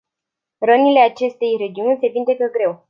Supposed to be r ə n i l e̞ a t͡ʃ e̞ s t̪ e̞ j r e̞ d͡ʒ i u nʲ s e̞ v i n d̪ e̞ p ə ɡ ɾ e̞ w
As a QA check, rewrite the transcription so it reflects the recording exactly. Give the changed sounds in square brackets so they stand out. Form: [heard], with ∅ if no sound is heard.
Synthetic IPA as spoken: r ə n i l e̞ a t͡ʃ e̞ s t̪ e̞ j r e̞ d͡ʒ i u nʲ s e̞ v i n d̪ e̞ [k] ə ɡ ɾ e̞ w